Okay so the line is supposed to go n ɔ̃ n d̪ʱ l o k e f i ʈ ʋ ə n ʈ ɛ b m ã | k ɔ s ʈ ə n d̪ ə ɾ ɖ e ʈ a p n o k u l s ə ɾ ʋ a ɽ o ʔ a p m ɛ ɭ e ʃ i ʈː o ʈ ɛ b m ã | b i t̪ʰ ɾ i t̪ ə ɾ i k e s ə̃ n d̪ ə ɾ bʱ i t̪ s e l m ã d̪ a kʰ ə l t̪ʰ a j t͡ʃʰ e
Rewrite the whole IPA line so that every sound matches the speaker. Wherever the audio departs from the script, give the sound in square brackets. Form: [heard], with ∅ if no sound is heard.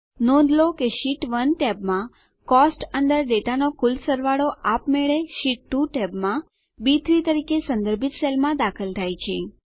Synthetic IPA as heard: n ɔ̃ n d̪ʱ l o k e [ʃ] i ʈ ʋ ə n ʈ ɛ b m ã | k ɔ s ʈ ə n d̪ ə ɾ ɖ e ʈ a [∅] n o k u l s ə ɾ ʋ a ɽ o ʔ a p m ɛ ɭ e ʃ i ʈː [u] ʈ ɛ b m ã | b i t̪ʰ ɾ i t̪ ə ɾ i k e s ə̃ n d̪ ə ɾ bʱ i t̪ s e l m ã d̪ a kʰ ə l t̪ʰ a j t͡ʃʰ e